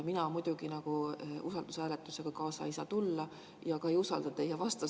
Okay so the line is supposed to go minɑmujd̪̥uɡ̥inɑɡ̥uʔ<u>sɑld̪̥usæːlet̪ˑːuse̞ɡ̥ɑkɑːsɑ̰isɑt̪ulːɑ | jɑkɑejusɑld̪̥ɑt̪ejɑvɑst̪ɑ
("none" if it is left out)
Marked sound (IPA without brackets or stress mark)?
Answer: u